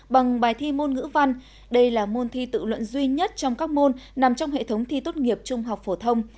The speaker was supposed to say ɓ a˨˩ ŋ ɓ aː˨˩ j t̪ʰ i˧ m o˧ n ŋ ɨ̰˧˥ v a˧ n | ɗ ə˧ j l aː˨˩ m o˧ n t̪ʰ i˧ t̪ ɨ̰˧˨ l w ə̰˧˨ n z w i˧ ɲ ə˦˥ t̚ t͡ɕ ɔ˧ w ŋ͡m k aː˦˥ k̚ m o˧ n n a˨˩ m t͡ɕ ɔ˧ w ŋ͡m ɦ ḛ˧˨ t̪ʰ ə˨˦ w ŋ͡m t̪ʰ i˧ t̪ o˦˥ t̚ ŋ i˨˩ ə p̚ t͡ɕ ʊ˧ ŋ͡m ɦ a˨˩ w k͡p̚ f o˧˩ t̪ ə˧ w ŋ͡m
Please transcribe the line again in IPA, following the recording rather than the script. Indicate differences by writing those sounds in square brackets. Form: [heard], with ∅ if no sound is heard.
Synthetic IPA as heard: ɓ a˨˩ ŋ ɓ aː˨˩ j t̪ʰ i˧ m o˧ n ŋ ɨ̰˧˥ v a˧ n | ɗ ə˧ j l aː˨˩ m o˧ n t̪ʰ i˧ t̪ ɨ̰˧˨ l w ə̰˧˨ n z w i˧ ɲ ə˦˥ t̚ t͡ɕ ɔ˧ w ŋ͡m k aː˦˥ k̚ m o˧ n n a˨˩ m t͡ɕ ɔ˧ w ŋ͡m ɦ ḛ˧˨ t̪ʰ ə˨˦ w ŋ͡m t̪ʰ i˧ t̪ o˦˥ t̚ ŋ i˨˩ ə p̚ t͡ɕ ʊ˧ ŋ͡m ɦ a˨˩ w k͡p̚ f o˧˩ [t̪ʰ] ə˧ w ŋ͡m

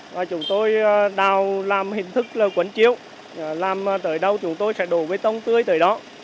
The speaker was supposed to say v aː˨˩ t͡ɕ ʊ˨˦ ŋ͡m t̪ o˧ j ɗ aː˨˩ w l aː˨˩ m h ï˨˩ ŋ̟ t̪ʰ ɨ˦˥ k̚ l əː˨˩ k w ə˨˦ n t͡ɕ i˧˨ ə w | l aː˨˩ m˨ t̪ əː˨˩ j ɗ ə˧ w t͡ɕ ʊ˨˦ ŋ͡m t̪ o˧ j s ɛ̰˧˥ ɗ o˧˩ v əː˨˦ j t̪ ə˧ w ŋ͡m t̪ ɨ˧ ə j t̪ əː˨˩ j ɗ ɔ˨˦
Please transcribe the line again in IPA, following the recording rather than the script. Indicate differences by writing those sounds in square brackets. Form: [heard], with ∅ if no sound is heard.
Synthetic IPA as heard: v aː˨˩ t͡ɕ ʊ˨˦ ŋ͡m t̪ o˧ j ɗ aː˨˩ w l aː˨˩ m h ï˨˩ ŋ̟ t̪ʰ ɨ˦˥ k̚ l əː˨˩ k w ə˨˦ n t͡ɕ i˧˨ ə w | l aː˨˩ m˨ t̪ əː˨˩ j ɗ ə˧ w t͡ɕ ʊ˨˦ ŋ͡m t̪ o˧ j s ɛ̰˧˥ ɗ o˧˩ v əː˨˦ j t̪ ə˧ w ŋ͡m t̪ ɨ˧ ə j t̪ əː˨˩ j ɗ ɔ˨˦

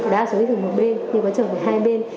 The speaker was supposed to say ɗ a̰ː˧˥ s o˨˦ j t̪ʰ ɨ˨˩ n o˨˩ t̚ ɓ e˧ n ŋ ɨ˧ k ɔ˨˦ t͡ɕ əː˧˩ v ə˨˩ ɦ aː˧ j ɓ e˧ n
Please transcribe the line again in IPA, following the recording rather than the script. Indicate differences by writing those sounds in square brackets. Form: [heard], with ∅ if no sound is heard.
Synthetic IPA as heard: ɗ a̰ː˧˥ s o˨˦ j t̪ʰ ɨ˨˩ [m] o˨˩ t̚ ɓ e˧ n [ɲ] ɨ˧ k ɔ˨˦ t͡ɕ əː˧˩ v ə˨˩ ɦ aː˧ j ɓ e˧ n

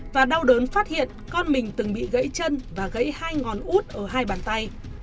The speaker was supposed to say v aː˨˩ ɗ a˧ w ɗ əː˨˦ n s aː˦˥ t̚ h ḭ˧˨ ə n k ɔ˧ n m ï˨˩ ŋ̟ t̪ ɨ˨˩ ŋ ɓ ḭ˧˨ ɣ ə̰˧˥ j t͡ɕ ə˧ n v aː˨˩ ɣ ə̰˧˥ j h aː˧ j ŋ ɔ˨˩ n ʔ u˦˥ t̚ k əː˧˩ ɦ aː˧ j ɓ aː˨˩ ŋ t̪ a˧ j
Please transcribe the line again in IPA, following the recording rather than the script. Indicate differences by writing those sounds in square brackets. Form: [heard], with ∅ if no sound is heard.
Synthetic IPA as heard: v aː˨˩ ɗ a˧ w ɗ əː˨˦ n [f] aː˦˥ t̚ h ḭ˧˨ ə n k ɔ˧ n m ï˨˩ ŋ̟ t̪ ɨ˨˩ ŋ ɓ ḭ˧˨ ɣ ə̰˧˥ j t͡ɕ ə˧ n v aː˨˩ ɣ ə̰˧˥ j h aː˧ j ŋ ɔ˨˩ n ʔ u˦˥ t̚ [ʔ] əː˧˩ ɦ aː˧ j ɓ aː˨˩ [n] t̪ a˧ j

